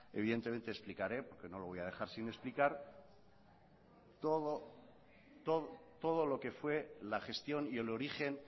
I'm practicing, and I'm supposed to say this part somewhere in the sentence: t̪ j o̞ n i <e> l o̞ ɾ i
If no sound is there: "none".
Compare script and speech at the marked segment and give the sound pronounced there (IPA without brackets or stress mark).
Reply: e